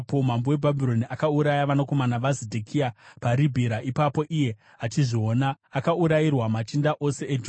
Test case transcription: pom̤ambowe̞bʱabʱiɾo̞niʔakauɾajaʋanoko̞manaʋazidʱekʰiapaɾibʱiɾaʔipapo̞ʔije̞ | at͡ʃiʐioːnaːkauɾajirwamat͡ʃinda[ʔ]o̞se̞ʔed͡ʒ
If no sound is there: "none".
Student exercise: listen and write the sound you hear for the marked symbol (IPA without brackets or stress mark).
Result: ʔ